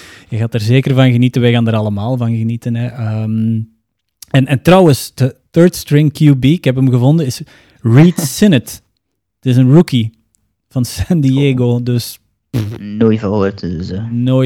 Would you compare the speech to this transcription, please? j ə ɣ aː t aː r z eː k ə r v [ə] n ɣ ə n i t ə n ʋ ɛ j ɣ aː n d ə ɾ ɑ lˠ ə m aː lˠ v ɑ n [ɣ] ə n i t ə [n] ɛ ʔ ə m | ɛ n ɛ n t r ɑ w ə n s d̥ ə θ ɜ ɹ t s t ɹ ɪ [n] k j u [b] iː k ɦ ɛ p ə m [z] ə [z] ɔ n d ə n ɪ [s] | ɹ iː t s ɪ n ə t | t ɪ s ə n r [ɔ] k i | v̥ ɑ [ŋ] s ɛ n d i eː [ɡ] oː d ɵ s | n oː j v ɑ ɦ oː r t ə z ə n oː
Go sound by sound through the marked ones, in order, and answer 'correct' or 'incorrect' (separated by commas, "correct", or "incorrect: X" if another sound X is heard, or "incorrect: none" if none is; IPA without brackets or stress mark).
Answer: incorrect: ɑ, correct, correct, incorrect: ŋ, correct, incorrect: ɣ, incorrect: v, correct, incorrect: u, incorrect: n, correct